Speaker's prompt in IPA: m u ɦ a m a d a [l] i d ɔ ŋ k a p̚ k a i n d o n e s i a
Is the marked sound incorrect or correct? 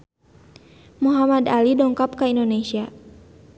correct